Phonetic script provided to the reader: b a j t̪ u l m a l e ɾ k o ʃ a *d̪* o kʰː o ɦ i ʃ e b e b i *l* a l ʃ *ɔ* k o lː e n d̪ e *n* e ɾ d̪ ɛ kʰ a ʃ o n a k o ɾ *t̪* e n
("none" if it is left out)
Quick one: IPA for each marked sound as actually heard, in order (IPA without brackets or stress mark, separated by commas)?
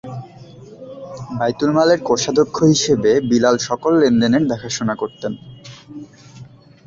d̪, l, ɔ, n, t̪